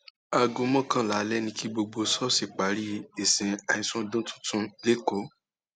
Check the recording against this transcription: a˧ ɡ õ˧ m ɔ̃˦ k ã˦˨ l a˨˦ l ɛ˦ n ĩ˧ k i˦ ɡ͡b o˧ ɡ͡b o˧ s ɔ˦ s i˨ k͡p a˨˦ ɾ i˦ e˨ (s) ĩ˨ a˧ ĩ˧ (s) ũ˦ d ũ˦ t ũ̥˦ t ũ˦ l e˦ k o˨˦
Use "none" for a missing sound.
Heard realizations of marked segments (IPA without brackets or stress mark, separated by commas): s, s